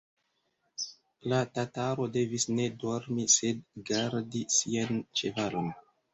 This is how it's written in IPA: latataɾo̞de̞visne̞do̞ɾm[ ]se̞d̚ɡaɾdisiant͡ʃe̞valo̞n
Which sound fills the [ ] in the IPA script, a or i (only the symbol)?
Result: i